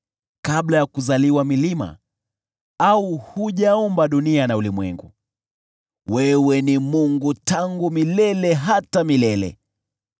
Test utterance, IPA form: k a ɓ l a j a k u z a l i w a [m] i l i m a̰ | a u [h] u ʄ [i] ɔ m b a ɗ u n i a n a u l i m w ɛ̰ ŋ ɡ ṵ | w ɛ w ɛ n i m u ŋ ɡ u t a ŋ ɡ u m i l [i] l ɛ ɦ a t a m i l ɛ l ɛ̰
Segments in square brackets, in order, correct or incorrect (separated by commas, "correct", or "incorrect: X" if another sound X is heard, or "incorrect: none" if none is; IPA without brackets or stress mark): correct, correct, incorrect: a, incorrect: ɛ